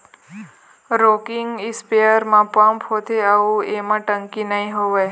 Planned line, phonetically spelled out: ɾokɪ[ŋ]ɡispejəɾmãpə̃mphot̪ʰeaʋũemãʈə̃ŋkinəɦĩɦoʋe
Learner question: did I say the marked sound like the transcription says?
yes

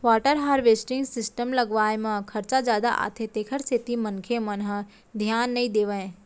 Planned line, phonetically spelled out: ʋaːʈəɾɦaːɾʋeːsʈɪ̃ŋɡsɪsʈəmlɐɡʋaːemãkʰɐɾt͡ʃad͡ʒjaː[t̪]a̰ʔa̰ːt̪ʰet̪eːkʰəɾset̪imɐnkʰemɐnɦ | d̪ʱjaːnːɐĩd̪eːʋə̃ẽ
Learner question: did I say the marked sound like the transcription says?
no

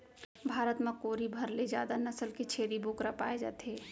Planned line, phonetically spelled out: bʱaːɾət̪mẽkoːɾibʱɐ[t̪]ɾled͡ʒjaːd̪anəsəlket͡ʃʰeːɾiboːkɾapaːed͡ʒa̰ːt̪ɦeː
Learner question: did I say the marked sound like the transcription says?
no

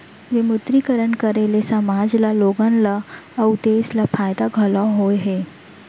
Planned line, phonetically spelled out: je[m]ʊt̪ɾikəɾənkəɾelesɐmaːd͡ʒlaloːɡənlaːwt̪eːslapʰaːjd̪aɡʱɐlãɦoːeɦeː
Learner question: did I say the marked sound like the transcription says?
yes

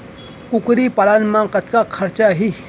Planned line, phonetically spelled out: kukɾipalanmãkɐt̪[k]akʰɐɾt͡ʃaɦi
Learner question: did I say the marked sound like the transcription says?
yes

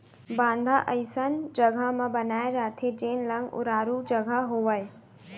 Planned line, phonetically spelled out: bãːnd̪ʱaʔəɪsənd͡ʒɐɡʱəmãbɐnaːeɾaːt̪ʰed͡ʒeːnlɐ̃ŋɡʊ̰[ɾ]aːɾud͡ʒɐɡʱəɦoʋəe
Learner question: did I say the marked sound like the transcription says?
yes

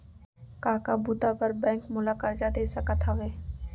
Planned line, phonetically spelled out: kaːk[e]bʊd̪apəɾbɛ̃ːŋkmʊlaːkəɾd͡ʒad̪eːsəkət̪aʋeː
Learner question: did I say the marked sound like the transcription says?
no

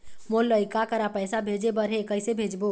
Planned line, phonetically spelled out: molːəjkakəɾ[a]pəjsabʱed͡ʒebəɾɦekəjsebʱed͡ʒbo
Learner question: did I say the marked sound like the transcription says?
yes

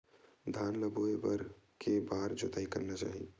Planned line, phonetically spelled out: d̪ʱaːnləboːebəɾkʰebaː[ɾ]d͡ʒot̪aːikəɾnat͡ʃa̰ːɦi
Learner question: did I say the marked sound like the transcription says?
yes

